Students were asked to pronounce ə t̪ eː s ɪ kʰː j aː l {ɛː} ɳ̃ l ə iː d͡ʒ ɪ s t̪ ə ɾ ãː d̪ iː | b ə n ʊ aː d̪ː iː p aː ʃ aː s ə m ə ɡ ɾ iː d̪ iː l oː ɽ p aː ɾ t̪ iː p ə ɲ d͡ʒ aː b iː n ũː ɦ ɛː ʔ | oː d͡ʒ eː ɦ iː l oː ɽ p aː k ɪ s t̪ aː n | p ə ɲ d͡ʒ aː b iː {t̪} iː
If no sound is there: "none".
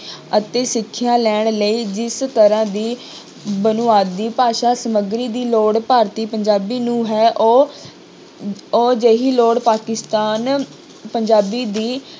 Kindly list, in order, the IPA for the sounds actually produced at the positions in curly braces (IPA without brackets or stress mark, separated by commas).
ɛː, d̪